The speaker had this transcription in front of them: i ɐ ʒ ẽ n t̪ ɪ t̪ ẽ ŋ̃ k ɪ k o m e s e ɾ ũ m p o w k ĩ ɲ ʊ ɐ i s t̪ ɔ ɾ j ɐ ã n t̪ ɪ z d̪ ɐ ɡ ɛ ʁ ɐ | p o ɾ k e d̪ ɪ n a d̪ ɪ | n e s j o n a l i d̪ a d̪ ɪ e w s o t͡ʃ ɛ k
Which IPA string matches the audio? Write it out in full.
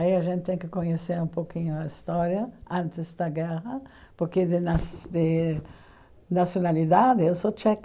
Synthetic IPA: i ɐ ʒ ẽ n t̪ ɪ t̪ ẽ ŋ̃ k ɪ k o ɲ e s e ɾ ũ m p o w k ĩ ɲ ʊ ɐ i s t̪ ɔ ɾ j ɐ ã n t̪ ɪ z d̪ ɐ ɡ ɛ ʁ ɐ | p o ɾ k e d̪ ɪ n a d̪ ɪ | n a s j o n a l i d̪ a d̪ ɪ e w s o t͡ʃ ɛ k